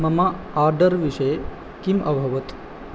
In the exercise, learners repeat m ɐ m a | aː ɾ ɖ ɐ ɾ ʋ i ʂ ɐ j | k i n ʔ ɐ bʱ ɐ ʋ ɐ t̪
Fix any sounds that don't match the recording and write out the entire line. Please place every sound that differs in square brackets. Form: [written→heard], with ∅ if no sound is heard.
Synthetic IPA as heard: m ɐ m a | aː ɾ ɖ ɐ ɾ ʋ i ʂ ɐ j | k i [n→m] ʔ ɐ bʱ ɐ ʋ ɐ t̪